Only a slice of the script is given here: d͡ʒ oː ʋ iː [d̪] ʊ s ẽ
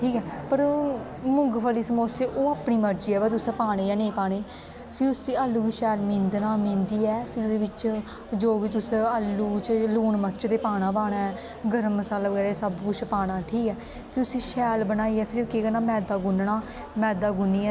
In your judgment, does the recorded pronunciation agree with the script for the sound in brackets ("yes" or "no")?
no